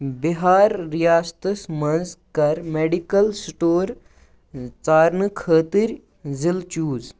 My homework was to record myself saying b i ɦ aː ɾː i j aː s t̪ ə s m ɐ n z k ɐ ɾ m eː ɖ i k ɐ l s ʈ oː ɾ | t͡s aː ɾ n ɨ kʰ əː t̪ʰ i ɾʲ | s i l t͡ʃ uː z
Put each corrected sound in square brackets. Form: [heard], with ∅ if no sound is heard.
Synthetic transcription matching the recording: b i ɦ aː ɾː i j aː s t̪ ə s m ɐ n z k ɐ ɾ m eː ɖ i k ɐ l s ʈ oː ɾ | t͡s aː ɾ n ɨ kʰ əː [t̪] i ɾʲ | [z] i l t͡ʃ uː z

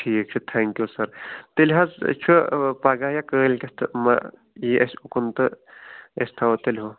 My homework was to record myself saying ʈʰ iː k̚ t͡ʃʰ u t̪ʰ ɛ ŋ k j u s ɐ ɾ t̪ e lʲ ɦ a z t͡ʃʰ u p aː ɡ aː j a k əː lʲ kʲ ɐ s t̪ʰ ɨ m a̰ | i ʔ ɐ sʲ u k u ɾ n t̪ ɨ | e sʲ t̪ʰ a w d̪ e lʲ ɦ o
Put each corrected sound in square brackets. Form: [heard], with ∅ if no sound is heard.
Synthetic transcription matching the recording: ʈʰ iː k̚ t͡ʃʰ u t̪ʰ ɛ ŋ k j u s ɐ ɾ t̪ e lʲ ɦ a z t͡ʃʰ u p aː ɡ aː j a k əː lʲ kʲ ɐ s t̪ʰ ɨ m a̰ | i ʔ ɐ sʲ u k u [∅] n t̪ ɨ | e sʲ t̪ʰ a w [t̪] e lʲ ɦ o

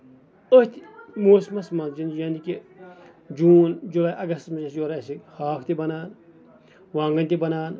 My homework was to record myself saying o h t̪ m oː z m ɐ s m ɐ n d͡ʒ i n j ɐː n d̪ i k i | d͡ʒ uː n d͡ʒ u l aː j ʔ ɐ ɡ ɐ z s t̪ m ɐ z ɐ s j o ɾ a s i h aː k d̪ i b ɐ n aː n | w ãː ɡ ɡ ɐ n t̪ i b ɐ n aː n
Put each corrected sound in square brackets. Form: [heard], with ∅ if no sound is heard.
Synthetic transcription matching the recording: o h t̪ m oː [s] m ɐ s m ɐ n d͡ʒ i n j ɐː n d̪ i k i | d͡ʒ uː n d͡ʒ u l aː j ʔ ɐ ɡ ɐ [∅] s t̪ m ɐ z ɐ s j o ɾ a s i h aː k [t̪] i b ɐ n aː n | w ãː [ŋ] ɡ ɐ n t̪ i b ɐ n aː n

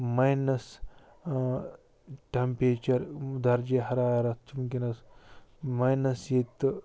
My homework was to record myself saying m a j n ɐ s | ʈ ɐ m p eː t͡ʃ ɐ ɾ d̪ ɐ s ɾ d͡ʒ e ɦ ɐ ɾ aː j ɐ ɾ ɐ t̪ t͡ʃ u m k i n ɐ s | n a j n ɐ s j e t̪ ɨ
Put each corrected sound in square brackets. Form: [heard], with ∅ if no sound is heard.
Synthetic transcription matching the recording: m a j n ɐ s | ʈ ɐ m p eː t͡ʃ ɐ ɾ d̪ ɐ [∅] ɾ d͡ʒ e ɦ ɐ ɾ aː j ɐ ɾ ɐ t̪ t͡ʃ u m k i n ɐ s | [m] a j n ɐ s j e t̪ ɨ

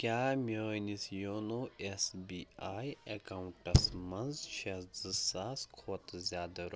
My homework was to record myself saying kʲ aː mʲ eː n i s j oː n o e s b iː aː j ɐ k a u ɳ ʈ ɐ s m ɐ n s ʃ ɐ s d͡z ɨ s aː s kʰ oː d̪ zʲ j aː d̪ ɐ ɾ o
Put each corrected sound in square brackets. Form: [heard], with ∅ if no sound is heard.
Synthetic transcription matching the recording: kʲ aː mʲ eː n i s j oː n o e s b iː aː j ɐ k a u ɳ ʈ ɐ s m ɐ n [z] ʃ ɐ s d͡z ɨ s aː s kʰ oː [t̪] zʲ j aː d̪ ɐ ɾ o

